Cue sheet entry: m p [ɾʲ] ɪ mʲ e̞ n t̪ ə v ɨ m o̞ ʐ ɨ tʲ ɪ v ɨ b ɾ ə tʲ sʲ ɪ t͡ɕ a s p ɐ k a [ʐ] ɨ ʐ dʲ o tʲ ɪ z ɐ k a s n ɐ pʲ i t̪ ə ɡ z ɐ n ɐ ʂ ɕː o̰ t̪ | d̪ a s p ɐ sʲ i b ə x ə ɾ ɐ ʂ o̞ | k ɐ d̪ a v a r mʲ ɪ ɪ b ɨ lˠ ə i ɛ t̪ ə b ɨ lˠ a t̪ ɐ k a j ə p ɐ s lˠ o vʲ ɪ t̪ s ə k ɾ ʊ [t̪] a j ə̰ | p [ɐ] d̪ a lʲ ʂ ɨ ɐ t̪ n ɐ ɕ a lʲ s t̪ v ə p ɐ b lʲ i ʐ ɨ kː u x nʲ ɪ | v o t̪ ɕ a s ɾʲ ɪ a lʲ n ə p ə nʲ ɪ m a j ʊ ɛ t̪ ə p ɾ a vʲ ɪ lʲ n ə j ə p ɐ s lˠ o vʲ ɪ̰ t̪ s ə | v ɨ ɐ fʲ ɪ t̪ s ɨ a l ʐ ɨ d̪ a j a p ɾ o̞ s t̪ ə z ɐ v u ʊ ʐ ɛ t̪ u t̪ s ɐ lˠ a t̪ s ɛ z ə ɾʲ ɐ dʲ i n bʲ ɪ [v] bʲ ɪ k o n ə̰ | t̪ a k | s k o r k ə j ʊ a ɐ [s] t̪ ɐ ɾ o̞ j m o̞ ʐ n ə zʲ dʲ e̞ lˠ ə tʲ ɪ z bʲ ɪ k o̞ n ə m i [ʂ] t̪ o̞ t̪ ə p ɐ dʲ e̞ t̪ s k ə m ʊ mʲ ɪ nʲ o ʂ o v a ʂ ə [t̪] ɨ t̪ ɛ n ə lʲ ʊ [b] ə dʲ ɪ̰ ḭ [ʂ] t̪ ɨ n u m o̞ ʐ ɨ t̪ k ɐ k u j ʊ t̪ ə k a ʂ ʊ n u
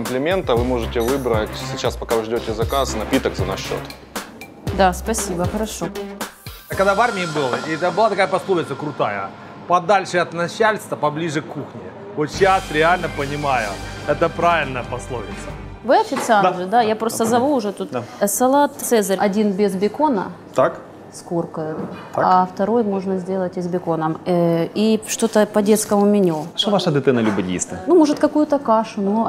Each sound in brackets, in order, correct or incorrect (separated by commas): incorrect, incorrect, correct, correct, incorrect, incorrect, correct, incorrect, correct, incorrect